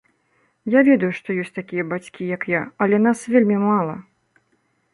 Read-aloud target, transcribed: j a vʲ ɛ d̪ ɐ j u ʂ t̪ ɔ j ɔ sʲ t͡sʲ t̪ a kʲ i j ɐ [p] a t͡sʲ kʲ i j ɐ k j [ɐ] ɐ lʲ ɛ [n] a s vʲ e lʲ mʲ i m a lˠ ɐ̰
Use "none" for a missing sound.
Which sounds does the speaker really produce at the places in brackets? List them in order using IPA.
b, a, n

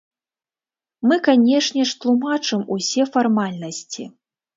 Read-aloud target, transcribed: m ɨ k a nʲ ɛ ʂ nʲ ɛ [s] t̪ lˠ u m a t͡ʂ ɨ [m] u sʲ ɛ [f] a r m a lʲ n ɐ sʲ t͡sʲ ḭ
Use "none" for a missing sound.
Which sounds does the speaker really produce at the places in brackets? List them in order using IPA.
ʂ, m, f

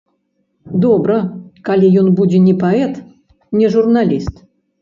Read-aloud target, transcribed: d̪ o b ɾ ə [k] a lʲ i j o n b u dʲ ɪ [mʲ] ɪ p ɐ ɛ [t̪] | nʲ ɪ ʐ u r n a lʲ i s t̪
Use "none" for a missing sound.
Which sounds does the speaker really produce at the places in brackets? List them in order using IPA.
k, nʲ, t̪

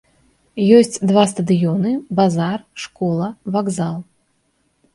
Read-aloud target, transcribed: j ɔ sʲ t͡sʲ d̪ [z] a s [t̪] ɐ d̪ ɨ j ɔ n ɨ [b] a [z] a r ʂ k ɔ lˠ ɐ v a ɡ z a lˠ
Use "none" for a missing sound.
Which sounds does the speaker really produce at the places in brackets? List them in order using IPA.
v, t̪, b, z

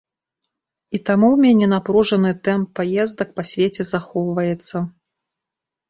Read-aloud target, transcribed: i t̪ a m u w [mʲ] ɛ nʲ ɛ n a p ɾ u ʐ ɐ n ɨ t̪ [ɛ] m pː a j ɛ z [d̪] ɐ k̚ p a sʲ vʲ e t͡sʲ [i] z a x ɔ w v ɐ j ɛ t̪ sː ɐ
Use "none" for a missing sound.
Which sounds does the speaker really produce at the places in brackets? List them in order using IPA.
mʲ, ɛ, d̪, ɛ

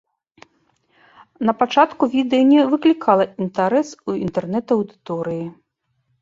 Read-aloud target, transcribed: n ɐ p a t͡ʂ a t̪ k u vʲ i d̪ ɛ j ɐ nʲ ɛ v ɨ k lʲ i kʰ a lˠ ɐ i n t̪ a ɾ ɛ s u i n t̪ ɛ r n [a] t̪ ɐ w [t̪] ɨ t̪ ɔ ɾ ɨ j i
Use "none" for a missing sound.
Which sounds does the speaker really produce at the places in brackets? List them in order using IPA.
ɛ, d̪

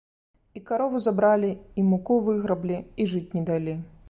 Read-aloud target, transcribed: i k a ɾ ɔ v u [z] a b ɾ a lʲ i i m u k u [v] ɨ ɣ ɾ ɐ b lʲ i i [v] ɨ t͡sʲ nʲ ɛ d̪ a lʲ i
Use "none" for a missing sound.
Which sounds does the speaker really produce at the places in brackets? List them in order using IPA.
z, v, ʐ

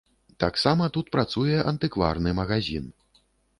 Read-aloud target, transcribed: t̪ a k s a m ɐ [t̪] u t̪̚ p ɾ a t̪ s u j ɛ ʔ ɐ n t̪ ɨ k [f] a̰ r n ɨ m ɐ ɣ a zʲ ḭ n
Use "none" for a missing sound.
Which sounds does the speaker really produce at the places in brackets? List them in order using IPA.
t̪, v

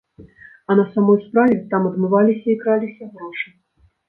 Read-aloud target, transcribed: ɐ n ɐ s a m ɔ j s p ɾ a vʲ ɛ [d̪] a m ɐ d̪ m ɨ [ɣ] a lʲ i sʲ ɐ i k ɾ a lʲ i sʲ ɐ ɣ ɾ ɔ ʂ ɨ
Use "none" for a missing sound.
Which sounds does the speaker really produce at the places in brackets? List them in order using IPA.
t̪, v

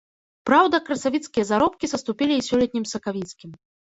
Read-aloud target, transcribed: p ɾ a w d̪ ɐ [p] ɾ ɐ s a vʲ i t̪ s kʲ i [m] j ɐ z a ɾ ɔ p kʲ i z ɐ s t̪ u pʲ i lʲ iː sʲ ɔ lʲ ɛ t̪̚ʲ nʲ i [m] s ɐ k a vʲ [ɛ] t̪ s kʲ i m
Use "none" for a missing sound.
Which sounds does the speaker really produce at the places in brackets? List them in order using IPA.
k, none, m, i

